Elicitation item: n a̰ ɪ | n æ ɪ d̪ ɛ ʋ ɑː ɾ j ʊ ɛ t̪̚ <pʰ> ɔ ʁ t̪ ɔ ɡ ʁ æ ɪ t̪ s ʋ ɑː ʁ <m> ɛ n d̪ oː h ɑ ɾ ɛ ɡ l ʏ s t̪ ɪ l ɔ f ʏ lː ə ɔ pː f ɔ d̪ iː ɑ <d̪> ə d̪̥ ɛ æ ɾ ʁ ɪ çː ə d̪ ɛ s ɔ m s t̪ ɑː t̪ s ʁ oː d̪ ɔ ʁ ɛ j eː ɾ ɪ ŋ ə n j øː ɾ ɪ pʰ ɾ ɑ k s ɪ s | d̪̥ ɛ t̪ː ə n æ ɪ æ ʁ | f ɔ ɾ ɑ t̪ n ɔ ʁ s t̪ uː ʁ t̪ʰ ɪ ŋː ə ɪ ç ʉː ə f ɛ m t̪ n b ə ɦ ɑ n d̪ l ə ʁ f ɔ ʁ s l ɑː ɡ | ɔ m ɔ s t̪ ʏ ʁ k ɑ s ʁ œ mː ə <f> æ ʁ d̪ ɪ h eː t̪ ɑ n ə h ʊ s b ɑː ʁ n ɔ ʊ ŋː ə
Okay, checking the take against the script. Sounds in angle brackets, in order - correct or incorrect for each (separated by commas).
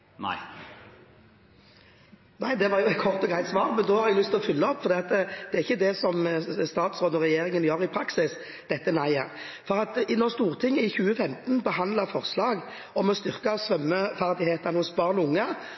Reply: incorrect, correct, incorrect, correct